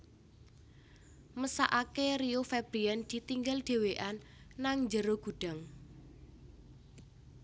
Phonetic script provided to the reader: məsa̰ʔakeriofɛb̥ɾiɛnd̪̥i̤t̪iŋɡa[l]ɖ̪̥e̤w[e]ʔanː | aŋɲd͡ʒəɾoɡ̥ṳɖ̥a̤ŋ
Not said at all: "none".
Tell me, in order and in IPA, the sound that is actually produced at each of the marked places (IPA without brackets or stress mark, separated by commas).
l, e